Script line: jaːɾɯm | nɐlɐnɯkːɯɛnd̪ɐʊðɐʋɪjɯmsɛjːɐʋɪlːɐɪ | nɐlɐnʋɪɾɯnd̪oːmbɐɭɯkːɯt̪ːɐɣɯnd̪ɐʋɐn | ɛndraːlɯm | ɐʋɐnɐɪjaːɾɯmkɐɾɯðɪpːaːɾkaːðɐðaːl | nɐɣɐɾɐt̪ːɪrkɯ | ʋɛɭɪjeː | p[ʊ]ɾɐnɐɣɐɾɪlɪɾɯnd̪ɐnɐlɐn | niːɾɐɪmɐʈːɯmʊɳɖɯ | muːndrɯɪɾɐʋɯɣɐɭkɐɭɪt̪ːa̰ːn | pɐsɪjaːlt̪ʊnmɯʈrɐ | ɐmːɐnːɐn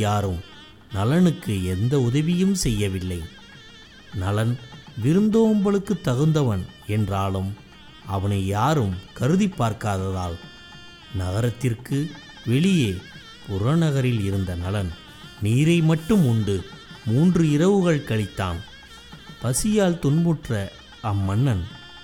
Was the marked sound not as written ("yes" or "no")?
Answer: no